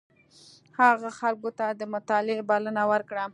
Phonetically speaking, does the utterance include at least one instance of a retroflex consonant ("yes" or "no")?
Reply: yes